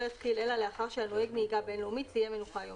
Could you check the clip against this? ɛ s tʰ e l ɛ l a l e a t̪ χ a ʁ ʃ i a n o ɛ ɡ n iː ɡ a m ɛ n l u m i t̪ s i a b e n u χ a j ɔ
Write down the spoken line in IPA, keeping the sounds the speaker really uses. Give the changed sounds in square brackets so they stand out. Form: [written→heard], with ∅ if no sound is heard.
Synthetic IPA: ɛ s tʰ [e→i] l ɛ l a l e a [t̪→∅] χ a ʁ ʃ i a n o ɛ ɡ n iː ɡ a [m→b] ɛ n l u m i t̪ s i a [b→m] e n u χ a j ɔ